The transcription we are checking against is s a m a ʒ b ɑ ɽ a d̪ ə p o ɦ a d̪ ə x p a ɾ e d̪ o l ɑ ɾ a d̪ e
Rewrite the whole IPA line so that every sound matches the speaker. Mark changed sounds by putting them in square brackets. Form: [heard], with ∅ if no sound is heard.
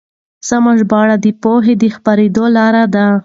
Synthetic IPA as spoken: s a m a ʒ b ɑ ɽ a d̪ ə p o ɦ [e] d̪ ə x p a ɾ e d̪ o l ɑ ɾ a d̪ [a]